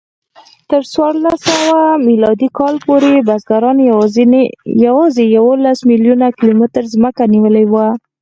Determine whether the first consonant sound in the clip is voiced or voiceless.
voiceless